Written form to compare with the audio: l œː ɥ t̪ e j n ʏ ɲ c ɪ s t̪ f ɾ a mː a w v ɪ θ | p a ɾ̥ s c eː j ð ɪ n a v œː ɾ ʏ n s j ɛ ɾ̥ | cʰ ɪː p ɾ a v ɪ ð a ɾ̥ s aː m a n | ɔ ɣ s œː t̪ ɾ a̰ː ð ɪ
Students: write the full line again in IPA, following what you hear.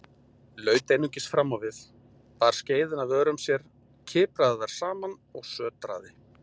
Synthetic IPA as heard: l œː ɥ t̪ e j n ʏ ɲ c ɪ s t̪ f ɾ a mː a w v ɪ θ | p a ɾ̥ s c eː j ð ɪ n a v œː ɾ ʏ m s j ɛ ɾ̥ | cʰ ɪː p ɾ a ð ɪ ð a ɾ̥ s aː m a n | ɔ ɣ s œː t̪ ɾ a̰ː ð ɪ